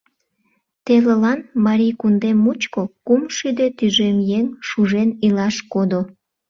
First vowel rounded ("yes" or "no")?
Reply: no